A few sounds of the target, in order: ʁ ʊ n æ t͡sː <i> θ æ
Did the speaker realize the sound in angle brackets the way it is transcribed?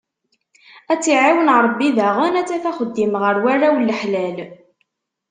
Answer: no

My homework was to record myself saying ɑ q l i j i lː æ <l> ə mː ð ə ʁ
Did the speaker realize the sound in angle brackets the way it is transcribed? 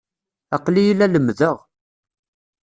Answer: yes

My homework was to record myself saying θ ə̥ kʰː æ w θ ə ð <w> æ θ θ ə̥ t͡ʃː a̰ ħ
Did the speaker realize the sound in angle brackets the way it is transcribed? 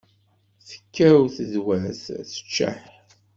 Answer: yes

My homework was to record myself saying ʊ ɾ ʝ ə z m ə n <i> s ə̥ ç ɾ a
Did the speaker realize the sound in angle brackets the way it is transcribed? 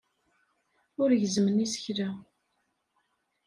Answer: yes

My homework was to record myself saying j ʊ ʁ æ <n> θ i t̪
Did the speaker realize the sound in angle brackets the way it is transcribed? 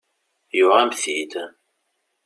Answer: no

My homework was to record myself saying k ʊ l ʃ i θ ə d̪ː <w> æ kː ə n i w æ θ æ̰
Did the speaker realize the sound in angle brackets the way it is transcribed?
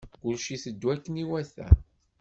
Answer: yes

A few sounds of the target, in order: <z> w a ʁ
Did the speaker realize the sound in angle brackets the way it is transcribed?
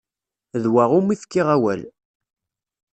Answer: no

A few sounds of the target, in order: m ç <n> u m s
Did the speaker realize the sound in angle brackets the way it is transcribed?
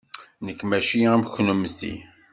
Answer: yes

